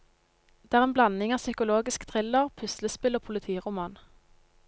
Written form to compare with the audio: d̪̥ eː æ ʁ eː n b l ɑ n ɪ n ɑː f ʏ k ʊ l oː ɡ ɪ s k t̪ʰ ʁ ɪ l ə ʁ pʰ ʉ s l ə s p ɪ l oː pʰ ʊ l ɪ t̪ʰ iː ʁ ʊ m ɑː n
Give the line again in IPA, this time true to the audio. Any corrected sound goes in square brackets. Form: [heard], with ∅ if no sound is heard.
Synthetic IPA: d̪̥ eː æ ʁ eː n b l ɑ n ɪ [ŋ] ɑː [s] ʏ k ʊ l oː ɡ ɪ s k t̪ʰ ʁ ɪ l ə ʁ pʰ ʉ s l ə s p ɪ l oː pʰ ʊ l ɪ t̪ʰ iː ʁ ʊ m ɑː n